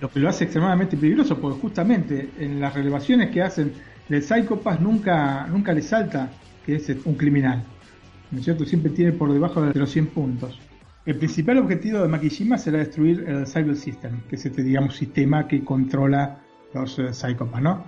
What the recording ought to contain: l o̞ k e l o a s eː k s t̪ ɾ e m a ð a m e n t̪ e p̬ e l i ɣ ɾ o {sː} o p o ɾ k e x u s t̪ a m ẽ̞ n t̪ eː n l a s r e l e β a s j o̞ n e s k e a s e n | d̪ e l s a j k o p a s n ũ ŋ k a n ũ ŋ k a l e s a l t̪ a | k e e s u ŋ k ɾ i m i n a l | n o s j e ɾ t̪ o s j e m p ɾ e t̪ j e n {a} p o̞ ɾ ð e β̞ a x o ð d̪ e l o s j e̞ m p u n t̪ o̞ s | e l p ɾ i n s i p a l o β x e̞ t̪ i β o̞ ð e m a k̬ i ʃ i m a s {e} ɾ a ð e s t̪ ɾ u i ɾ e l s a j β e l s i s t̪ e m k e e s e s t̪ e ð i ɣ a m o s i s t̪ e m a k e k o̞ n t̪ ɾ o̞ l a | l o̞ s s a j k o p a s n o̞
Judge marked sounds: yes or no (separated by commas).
no, no, yes